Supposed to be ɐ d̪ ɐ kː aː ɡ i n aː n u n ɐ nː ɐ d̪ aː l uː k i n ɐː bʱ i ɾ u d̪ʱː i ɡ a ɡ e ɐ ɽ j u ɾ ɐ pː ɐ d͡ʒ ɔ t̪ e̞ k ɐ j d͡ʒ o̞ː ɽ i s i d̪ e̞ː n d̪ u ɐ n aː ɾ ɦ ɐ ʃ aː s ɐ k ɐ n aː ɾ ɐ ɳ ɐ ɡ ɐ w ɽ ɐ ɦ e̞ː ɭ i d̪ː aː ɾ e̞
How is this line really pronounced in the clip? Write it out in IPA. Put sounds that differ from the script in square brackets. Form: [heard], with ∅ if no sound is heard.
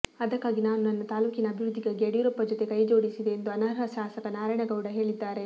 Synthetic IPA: ɐ d̪ ɐ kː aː ɡ i n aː n u n ɐ nː ɐ [t̪] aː l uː k i n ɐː bʱ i ɾ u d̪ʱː i ɡ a ɡ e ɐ ɽ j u ɾ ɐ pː ɐ d͡ʒ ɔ t̪ e̞ k ɐ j d͡ʒ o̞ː ɽ i s i d̪ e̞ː n d̪ u ɐ n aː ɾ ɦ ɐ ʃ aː s ɐ k ɐ n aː ɾ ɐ ɳ ɐ ɡ ɐ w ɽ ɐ ɦ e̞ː ɭ i d̪ː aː ɾ e̞